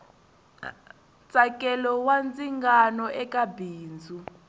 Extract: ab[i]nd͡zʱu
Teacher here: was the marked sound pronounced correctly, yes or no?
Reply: no